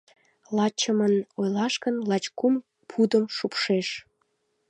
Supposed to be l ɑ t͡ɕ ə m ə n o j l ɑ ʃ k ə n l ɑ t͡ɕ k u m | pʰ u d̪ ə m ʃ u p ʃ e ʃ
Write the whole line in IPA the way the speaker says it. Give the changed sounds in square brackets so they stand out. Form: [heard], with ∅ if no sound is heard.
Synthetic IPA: l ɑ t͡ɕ ə m ə n o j l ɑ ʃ k ə n l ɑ t͡ɕ k u m | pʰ u d̪ ə m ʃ u p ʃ e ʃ